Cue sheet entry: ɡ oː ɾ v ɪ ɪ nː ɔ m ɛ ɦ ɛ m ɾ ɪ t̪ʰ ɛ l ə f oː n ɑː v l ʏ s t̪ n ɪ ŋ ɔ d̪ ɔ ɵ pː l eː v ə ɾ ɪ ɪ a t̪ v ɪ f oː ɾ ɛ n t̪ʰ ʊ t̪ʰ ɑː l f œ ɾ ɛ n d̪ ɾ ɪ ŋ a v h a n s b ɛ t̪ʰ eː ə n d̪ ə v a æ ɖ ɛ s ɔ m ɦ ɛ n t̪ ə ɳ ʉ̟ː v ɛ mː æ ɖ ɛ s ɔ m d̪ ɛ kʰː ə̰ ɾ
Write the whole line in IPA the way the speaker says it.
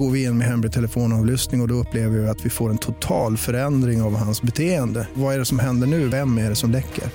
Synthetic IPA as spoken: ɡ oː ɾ v ɪ ɪ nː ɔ m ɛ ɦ ɛ m ɾ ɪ t̪ʰ ɛ l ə f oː n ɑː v l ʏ s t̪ n ɪ ŋ ɔ d̪ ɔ ɵ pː l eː v ə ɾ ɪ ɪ a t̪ v ɪ f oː ɾ ɛ n t̪ʰ ʊ t̪ʰ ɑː l f œ ɾ ɛ n d̪ ɾ ɪ ŋ a v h a n s b ɛ t̪ʰ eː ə n d̪ ə v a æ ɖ ɛ s ɔ m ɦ ɛ n d̪ ə ɳ ʉ̟ː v ɛ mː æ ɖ ɛ s ɔ m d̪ ɛ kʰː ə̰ ɾ